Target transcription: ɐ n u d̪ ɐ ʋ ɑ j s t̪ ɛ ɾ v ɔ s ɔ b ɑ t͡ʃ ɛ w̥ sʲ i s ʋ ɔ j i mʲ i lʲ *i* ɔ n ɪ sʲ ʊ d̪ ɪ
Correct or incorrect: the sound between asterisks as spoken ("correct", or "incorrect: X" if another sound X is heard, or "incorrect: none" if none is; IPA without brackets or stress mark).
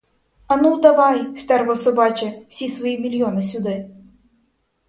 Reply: incorrect: j